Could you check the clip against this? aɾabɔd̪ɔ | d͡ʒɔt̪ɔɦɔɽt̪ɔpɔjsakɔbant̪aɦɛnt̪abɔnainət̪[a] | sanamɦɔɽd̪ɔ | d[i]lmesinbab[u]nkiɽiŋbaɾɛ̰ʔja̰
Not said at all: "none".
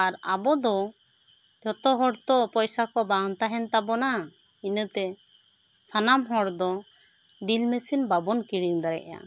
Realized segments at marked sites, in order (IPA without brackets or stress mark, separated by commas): ɛ, i, ɔ